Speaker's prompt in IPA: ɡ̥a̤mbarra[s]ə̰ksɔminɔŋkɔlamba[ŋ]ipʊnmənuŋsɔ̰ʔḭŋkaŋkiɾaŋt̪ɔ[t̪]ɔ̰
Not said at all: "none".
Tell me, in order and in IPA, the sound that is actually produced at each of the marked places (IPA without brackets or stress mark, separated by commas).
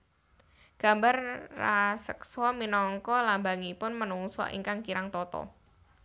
s, ŋ, t̪